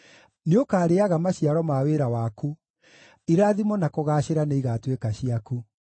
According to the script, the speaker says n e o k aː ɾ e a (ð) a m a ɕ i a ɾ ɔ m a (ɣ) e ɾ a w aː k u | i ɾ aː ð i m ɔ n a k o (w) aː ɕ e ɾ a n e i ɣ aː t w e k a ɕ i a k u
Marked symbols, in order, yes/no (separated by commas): no, no, no